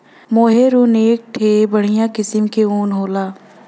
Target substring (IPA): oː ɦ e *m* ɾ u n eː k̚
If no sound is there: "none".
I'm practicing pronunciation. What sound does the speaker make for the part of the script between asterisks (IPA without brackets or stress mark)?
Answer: none